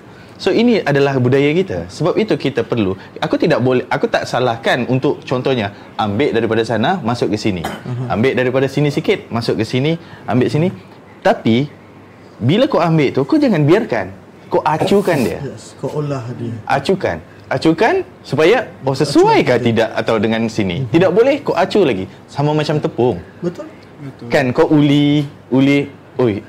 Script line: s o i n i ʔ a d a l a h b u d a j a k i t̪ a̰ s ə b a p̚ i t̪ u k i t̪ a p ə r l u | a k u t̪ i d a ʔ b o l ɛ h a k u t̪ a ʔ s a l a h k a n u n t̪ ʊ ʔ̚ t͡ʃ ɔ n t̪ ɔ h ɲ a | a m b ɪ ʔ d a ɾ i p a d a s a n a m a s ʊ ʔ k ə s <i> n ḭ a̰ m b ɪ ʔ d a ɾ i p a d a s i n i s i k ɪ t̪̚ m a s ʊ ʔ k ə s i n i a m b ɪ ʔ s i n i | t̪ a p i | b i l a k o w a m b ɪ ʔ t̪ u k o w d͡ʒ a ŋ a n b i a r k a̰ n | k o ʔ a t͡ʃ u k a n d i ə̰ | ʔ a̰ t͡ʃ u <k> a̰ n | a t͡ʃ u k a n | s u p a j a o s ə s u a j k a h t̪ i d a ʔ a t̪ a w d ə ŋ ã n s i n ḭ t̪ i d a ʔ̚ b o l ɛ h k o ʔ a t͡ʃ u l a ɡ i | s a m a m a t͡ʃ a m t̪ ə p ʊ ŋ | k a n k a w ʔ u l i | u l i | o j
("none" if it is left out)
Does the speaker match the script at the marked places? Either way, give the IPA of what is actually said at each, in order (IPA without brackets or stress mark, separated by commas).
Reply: i, k